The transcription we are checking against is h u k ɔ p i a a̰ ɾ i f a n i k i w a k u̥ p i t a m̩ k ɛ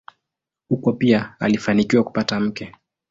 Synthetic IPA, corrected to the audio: h u k ɔ p i a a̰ l i f a n i k i w a k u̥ p a t a m̩ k ɛ